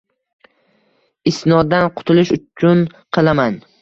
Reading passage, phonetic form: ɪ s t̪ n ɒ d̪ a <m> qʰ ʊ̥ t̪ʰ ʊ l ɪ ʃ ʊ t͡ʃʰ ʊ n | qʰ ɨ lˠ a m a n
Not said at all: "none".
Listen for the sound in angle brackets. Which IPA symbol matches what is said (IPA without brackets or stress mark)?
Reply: n